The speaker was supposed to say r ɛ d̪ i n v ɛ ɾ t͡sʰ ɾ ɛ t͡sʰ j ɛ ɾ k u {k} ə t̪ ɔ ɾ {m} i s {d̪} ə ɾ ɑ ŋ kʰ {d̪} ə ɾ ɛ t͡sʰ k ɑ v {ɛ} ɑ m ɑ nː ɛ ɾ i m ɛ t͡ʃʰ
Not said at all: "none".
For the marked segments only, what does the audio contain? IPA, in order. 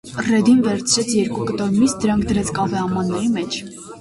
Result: k, m, d̪, d̪, ɛ

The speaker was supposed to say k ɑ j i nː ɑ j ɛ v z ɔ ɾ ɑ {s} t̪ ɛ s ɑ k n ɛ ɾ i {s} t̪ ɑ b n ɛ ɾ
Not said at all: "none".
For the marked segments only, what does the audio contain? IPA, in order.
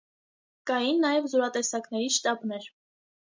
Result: none, ʃ

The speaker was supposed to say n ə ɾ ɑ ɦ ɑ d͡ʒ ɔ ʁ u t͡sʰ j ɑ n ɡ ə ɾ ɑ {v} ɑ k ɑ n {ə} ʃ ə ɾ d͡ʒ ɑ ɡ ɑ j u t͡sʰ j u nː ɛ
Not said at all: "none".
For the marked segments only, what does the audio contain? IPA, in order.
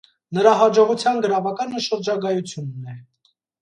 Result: v, ə

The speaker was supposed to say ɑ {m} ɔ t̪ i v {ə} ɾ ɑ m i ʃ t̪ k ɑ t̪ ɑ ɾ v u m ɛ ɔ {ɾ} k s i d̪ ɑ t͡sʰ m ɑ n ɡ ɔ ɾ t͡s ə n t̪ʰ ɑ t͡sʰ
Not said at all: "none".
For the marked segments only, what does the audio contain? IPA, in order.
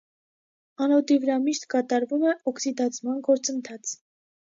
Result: n, ə, none

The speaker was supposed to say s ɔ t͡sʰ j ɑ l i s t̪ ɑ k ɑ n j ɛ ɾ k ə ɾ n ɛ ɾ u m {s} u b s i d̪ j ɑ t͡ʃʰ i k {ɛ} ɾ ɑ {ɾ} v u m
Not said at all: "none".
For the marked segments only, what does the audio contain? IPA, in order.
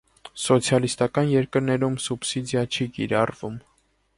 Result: s, i, r

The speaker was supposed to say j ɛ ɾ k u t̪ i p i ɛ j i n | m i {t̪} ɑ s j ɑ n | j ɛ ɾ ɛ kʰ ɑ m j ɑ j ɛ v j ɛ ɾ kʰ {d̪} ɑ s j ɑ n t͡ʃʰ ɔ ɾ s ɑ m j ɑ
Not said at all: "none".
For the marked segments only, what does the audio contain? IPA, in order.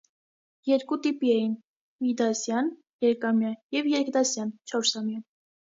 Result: d̪, d̪

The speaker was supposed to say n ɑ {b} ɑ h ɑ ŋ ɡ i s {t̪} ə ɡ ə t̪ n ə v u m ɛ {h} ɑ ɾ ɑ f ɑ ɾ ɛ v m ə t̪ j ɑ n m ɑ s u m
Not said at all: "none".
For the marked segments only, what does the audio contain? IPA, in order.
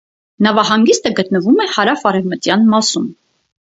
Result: v, t̪, h

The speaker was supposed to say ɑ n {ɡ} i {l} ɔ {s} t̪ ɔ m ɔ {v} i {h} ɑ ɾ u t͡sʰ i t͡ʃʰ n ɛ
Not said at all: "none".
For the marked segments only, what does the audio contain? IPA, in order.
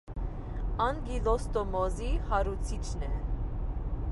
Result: ɡ, l, s, z, h

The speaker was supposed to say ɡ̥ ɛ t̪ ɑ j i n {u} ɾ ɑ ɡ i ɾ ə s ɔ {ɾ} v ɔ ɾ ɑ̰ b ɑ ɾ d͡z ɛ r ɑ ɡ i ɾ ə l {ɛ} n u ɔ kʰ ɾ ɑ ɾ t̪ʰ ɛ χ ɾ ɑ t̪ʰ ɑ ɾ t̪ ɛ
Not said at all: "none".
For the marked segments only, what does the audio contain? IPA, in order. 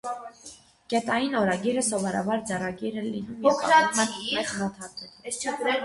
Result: ɔ, none, i

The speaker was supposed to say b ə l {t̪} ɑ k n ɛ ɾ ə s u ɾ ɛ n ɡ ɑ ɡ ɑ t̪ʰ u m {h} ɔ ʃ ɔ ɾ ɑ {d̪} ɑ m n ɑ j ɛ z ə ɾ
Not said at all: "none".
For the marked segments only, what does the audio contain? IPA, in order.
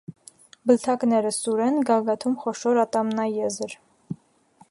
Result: t̪ʰ, χ, t̪

